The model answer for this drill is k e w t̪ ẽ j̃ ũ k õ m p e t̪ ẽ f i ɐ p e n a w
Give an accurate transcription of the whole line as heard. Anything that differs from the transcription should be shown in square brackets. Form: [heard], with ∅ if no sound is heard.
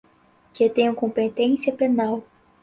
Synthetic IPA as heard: k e [∅] t̪ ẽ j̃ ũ k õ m p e t̪ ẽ [s] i ɐ p e n a w

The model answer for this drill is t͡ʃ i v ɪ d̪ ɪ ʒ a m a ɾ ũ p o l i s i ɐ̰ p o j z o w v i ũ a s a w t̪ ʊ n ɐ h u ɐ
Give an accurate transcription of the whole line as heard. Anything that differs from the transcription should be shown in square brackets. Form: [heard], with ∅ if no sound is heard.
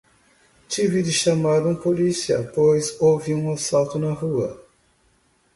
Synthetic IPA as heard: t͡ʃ i v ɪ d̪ ɪ [ʃ] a m a ɾ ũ p o l i s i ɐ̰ p o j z o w v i ũ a s a w t̪ ʊ n ɐ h u ɐ

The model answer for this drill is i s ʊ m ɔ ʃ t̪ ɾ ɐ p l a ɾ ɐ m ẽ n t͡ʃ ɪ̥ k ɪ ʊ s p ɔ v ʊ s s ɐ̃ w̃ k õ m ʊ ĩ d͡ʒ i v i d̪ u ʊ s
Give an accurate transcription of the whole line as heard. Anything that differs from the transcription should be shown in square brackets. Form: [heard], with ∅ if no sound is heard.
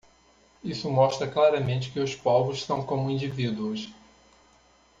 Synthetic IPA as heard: i s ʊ m ɔ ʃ t̪ ɾ ɐ [k] l a ɾ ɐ m ẽ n t͡ʃ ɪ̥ k ɪ ʊ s p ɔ v ʊ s s ɐ̃ w̃ k õ m ʊ ĩ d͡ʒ i v i d̪ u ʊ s

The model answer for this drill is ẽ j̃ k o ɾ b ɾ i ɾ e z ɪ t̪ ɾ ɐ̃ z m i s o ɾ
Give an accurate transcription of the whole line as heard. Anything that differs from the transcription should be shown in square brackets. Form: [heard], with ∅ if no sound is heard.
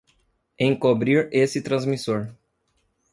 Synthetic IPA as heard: ẽ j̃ k o [∅] b ɾ i ɾ e [s] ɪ t̪ ɾ ɐ̃ z m i s o ɾ

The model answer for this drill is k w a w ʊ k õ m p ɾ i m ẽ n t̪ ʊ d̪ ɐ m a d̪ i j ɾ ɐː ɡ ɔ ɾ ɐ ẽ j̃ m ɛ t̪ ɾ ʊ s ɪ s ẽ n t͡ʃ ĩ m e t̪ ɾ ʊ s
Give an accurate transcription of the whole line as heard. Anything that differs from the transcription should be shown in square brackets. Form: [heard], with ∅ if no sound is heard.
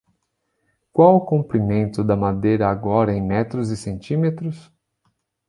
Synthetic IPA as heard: k w a w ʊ k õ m p ɾ i m ẽ n t̪ ʊ d̪ ɐ m a d̪ [e] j ɾ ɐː ɡ ɔ ɾ ɐ ẽ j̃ m ɛ t̪ ɾ ʊ [z] ɪ s ẽ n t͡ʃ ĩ m e t̪ ɾ ʊ s

